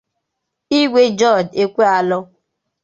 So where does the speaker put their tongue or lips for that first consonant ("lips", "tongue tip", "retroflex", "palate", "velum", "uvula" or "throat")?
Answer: velum